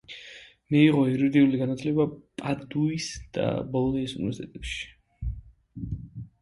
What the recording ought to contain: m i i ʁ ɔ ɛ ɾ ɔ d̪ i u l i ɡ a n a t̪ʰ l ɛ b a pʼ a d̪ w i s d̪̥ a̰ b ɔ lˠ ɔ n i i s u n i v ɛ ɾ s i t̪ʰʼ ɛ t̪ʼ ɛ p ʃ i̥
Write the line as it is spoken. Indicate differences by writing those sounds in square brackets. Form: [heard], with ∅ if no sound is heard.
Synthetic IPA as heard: m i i ʁ ɔ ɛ ɾ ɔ d̪ i u l i ɡ a n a t̪ʰ l ɛ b a pʼ a d̪ [u] i s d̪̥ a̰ b ɔ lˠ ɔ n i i s u n i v ɛ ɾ s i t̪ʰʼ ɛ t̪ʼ ɛ p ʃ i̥

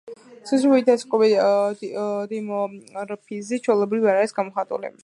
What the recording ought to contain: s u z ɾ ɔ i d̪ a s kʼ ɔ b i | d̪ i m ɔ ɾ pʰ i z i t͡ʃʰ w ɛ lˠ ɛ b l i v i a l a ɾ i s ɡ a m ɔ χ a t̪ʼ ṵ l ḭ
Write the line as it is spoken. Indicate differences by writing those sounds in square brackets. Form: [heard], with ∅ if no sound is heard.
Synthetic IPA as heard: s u z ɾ [u] i d̪ a s kʼ ɔ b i | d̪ i m ɔ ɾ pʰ i z i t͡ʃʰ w ɛ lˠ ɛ b [ɾ] i v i a [ɾ] a ɾ i s ɡ a m ɔ χ a t̪ʼ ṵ l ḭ

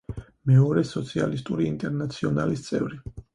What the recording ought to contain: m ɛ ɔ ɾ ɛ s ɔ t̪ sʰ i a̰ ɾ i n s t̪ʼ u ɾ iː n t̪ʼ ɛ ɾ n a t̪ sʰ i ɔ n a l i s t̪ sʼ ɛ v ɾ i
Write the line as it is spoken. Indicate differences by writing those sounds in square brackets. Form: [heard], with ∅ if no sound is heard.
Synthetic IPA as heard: m ɛ ɔ ɾ ɛ s ɔ t̪ sʰ i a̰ [l] i [∅] s t̪ʼ u ɾ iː n t̪ʼ ɛ ɾ n a t̪ sʰ i ɔ n a l i s t̪ sʼ ɛ v ɾ i

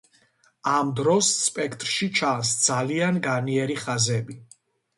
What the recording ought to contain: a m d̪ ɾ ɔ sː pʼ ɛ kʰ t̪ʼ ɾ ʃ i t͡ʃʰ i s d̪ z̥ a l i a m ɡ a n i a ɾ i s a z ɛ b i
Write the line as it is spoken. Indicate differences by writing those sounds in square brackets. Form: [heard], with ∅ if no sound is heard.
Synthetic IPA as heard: a m d̪ ɾ ɔ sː pʼ ɛ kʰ t̪ʼ ɾ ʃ i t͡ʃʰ [a] s d̪ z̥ a l i a [n] ɡ a n i [ɛ] ɾ i [χ] a z ɛ b i

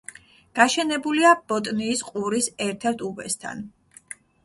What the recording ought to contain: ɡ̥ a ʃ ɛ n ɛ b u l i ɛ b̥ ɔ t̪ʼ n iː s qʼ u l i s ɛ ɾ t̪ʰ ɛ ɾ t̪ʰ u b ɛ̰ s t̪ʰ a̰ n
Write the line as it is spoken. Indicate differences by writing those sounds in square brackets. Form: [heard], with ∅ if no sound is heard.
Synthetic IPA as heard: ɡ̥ a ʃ ɛ n ɛ b u l i [a] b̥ ɔ t̪ʼ n iː s qʼ u [ɾ] i s ɛ ɾ t̪ʰ ɛ ɾ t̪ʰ u b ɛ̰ s t̪ʰ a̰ n

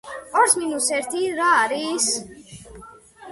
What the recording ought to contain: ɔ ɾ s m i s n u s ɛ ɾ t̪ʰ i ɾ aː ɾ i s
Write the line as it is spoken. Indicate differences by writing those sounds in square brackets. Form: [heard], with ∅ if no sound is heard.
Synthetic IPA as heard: ɔ ɾ s m i [∅] n u s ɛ ɾ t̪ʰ i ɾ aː ɾ i s

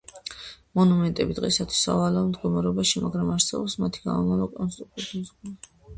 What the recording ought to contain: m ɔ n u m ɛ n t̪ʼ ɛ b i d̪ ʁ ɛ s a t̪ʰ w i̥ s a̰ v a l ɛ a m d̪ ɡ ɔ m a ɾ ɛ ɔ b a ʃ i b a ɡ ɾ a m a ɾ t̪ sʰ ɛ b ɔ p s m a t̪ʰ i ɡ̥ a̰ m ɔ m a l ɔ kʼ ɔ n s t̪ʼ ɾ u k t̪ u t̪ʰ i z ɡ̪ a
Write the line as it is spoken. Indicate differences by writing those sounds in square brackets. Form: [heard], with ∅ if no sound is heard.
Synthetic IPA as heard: m ɔ n u m ɛ n t̪ʼ ɛ b i d̪ ʁ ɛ s a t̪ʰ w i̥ s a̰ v a l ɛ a m d̪ ɡ ɔ m a ɾ ɛ ɔ b a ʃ i [m] a ɡ ɾ a m a ɾ t̪ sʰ ɛ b ɔ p s m a t̪ʰ i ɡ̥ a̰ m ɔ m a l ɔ kʼ ɔ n s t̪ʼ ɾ u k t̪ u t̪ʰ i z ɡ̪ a

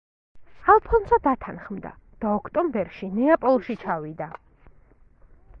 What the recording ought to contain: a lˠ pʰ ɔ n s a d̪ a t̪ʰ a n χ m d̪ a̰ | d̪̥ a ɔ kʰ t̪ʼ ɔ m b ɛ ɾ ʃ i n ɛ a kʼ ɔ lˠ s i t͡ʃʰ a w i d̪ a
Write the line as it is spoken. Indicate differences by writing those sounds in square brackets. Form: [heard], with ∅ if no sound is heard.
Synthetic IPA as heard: a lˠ pʰ ɔ n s a d̪ a t̪ʰ a n χ m d̪ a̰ | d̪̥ a ɔ kʰ t̪ʼ ɔ m b ɛ ɾ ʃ i n ɛ a [pʼ] ɔ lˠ [ʃ] i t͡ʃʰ a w i d̪ a

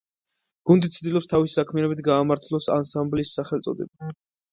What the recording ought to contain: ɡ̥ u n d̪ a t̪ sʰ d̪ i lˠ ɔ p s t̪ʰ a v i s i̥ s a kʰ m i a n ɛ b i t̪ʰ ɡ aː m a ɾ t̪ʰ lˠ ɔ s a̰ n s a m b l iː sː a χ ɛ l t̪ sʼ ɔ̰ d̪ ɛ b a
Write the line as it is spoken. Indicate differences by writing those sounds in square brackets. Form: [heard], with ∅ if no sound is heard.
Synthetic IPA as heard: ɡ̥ u n d̪ [i] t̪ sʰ d̪ i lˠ ɔ p s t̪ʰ a v i s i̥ s a kʰ m i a n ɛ b i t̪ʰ ɡ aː m a ɾ t̪ʰ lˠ ɔ s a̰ n s a m b l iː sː a χ ɛ l t̪ sʼ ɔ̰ d̪ ɛ b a

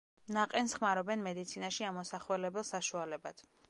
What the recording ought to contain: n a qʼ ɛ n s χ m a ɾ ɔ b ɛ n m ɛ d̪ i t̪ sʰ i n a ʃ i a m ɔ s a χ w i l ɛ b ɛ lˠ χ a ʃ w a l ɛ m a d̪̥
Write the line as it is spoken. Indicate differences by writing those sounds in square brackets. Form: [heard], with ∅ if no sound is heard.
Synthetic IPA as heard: n a qʼ ɛ n s χ m a ɾ ɔ b ɛ n m ɛ d̪ i t̪ sʰ i n a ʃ i a m ɔ s a χ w [ɛ] l ɛ b ɛ lˠ [s] a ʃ [u] a l ɛ [b] a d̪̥

